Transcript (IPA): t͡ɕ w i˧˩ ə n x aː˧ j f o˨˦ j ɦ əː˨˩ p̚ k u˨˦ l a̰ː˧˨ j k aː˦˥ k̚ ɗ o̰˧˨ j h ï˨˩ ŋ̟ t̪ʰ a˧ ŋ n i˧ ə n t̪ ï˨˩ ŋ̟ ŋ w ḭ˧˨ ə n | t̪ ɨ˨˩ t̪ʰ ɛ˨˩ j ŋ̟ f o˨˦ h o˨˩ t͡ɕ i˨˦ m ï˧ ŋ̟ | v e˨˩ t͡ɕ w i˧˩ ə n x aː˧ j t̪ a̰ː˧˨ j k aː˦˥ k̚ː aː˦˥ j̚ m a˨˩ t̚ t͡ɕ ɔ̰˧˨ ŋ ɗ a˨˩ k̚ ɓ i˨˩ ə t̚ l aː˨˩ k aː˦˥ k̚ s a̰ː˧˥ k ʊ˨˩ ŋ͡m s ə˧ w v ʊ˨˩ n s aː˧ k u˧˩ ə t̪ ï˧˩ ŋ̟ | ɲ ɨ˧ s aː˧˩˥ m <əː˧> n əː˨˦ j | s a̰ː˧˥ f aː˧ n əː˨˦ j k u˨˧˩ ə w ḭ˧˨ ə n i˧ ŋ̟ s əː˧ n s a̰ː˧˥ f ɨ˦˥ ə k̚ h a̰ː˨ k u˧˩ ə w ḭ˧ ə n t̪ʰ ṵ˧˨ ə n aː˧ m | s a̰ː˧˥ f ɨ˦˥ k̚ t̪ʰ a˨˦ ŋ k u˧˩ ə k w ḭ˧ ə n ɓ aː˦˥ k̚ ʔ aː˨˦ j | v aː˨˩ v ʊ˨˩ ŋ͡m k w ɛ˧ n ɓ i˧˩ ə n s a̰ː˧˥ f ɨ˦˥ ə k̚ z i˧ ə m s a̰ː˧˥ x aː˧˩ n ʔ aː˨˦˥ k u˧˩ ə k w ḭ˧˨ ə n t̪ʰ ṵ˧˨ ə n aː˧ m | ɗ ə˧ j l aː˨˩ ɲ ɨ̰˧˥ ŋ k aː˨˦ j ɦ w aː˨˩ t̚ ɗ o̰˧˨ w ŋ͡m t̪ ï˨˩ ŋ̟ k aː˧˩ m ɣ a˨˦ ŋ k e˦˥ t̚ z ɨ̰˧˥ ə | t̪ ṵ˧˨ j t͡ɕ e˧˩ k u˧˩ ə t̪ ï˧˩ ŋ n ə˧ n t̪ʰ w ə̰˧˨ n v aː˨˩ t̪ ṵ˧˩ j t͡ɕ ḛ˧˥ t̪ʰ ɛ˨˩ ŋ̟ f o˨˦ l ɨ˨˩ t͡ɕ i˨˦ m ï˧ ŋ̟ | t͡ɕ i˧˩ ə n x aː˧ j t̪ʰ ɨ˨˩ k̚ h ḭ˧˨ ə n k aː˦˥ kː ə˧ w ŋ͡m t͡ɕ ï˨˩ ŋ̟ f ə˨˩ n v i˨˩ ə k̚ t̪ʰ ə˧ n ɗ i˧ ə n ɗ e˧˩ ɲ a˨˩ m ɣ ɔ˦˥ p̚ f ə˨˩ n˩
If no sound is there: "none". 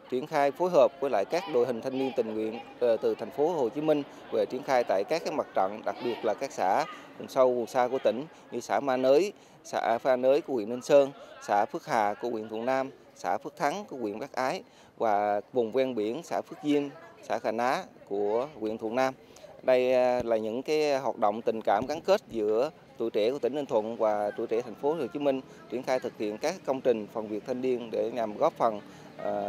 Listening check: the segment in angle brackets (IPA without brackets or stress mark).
aː˧